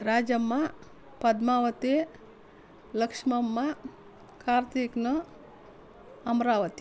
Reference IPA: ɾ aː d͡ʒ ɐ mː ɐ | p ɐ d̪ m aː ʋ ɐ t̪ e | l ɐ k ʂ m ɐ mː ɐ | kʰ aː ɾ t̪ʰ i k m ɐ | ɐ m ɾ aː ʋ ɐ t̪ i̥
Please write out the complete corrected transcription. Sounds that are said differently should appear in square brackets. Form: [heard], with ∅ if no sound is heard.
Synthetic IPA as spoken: ɾ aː d͡ʒ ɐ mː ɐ | p ɐ d̪ m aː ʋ ɐ t̪ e | l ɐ k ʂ m ɐ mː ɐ | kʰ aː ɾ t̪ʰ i k [n] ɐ | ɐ m ɾ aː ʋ ɐ t̪ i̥